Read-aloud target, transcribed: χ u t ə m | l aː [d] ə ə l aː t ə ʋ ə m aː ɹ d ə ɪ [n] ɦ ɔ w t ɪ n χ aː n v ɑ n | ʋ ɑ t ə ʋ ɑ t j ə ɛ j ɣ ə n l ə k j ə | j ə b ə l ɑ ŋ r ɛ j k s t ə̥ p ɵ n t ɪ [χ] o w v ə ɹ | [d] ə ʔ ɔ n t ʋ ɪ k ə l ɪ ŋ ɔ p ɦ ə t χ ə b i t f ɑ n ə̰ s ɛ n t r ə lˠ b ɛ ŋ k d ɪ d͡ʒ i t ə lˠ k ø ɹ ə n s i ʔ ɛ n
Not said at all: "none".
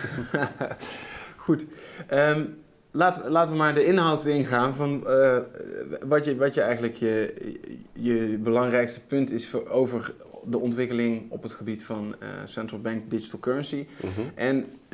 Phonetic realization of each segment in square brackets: t, n, s, d

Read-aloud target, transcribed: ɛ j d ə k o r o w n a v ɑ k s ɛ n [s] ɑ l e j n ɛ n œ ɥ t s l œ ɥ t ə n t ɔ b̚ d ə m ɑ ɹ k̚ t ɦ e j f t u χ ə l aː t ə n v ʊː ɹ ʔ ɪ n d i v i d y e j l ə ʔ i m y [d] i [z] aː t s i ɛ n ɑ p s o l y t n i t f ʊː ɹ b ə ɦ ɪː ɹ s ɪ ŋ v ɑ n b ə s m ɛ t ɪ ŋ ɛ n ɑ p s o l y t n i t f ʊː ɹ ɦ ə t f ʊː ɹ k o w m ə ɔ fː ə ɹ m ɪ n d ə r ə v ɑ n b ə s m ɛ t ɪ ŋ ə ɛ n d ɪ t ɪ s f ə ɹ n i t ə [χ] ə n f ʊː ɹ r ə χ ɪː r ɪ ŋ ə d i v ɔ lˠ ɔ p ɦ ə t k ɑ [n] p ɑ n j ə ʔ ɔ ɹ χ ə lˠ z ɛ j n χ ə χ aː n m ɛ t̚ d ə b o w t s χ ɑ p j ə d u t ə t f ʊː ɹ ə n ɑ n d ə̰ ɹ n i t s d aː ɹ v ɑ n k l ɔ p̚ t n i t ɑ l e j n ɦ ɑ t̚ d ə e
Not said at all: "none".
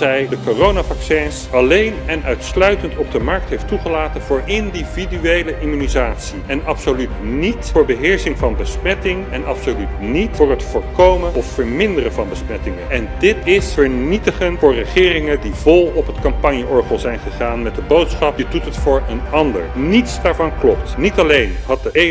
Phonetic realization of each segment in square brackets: s, n, z, χ, m

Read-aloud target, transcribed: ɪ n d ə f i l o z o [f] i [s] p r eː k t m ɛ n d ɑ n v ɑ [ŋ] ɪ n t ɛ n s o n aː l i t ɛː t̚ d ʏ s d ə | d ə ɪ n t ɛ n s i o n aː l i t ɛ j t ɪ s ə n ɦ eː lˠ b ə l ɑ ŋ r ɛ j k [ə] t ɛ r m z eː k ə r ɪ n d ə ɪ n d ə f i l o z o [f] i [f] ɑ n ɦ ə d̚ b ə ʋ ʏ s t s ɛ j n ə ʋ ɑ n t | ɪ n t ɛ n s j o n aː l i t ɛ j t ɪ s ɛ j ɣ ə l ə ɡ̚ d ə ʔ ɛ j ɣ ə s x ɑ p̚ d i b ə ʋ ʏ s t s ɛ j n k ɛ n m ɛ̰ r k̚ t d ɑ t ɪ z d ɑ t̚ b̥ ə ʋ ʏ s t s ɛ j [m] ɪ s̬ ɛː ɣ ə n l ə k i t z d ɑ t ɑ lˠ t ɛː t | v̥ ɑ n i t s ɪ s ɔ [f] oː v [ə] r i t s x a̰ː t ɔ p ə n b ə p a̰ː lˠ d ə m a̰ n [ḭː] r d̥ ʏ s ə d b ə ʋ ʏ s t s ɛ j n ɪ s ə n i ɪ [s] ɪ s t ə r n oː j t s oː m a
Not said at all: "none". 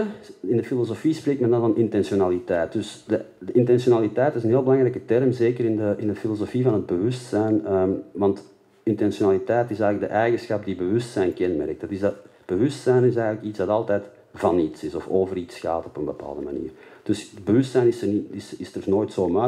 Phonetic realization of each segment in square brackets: f, s, n, ə, f, v, n, f, ə, ḭː, s

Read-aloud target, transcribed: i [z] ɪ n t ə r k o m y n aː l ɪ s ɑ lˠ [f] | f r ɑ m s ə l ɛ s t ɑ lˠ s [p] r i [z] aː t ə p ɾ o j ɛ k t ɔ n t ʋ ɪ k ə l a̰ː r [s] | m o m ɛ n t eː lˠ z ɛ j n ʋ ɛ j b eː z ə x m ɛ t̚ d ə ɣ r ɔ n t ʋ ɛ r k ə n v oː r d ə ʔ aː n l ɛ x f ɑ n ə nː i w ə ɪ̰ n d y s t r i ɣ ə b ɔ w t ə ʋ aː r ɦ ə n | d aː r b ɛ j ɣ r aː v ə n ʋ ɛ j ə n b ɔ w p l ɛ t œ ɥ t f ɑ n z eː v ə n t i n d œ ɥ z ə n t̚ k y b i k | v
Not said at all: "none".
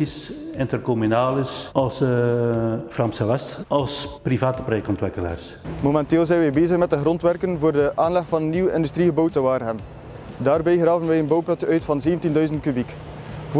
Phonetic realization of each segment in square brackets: s, s, p, v, s

